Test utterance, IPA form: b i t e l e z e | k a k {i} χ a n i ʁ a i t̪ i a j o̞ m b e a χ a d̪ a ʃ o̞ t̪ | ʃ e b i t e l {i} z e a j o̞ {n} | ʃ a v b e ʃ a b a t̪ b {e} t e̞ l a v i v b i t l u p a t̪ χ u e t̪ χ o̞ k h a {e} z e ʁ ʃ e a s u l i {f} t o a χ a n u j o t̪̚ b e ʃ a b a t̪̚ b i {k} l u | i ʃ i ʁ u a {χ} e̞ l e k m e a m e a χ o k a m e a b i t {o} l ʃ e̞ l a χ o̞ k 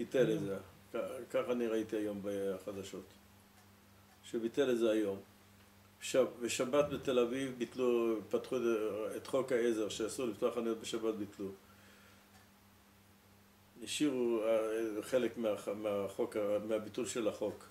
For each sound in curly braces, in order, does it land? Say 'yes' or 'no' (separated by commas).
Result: no, no, no, yes, yes, yes, no, yes, no